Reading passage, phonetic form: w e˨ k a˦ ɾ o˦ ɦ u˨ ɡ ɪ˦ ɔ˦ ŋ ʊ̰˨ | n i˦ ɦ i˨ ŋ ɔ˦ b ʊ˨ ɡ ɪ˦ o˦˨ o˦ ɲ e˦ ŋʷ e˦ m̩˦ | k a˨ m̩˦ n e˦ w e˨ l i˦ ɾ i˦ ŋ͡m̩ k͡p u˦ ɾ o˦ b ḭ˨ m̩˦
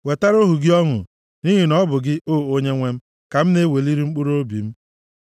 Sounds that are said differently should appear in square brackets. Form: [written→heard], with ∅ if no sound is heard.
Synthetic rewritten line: w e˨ [k→t] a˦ ɾ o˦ ɦ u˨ ɡ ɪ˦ ɔ˦ ŋ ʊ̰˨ | n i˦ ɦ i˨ [ŋ→n] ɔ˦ b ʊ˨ ɡ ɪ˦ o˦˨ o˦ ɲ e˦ ŋʷ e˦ m̩˦ | k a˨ m̩˦ n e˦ w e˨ l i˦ ɾ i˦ ŋ͡m̩ k͡p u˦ ɾ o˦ b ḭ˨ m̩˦